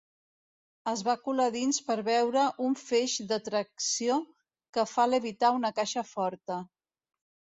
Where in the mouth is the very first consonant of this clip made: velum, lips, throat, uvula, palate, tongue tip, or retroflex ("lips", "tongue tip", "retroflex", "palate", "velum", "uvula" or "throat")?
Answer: tongue tip